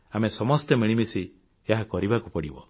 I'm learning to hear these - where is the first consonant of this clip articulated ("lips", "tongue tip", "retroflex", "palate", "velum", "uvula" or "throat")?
lips